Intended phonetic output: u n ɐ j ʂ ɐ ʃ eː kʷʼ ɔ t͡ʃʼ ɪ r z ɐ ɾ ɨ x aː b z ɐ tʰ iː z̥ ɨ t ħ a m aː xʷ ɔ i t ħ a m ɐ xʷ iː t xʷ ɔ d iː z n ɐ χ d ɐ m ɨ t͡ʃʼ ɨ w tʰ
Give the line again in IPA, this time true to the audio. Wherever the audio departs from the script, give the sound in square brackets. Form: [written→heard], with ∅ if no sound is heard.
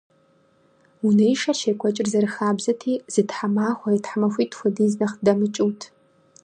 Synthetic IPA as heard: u n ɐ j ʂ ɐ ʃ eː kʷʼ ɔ t͡ʃʼ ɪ r z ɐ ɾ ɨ x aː b z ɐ tʰ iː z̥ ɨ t ħ a m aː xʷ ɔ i t ħ a m ɐ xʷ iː t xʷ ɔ d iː z n ɐ χ d ɐ m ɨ t͡ʃʼ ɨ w tʰ